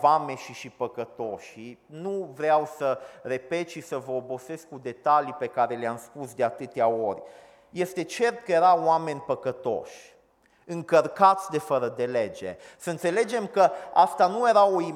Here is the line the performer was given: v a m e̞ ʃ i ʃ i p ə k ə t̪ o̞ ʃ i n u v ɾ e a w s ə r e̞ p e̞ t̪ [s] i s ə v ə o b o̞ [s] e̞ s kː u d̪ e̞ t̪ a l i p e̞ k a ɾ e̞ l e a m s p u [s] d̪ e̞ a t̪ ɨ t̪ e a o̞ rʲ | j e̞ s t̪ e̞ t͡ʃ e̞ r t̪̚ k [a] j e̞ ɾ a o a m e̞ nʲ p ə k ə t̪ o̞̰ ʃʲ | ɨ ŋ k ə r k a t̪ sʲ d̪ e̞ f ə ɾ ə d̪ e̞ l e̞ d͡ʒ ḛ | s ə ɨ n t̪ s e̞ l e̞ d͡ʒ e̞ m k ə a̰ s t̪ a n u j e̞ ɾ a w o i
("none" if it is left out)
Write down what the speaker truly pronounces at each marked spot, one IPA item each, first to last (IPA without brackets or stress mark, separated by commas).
ʃ, s, s, ə